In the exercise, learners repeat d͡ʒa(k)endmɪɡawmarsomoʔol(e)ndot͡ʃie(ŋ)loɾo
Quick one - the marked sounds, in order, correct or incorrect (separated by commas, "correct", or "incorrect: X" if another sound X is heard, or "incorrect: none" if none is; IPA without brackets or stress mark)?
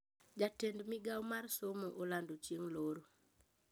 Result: incorrect: t, incorrect: a, correct